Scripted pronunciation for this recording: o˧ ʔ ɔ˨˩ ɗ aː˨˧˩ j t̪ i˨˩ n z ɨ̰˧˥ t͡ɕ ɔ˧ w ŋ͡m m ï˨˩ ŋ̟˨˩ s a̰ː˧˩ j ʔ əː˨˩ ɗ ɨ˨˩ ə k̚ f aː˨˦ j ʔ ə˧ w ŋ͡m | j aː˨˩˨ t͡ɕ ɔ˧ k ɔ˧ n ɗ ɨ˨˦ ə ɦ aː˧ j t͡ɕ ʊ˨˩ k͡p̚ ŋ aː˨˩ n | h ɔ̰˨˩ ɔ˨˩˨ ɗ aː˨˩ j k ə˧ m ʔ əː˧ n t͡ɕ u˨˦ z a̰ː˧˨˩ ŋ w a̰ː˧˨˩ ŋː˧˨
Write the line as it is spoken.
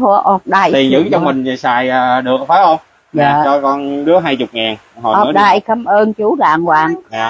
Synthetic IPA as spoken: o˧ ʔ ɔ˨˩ ɗ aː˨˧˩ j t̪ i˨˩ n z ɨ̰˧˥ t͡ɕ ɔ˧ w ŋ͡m m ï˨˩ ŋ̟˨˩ s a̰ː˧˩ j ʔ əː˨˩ ɗ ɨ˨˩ ə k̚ f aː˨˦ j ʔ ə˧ w ŋ͡m | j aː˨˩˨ t͡ɕ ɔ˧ k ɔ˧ n ɗ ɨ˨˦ ə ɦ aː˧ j t͡ɕ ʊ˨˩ k͡p̚ ŋ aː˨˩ n | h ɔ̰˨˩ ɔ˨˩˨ ɗ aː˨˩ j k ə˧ m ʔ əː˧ n t͡ɕ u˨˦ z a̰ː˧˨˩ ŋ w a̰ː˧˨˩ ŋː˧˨